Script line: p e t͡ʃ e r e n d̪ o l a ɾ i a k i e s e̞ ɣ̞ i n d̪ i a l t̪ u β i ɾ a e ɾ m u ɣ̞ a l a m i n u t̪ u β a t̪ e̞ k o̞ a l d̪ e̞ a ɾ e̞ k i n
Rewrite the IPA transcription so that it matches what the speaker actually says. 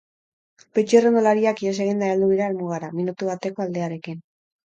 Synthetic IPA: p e t͡ʃ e r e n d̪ o l a ɾ i a k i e s e̞ ɣ̞ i n d̪ a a l d̪ u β i ɾ a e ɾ m u ɣ̞ a ɾ a m i n u t̪ u β a t̪ e̞ k o̞ a l d̪ e̞ a ɾ e̞ k i n